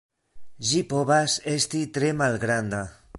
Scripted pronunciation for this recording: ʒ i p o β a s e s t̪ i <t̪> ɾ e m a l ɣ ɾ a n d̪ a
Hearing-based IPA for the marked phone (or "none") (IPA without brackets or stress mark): t̪